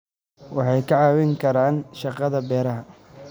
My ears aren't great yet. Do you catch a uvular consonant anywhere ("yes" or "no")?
yes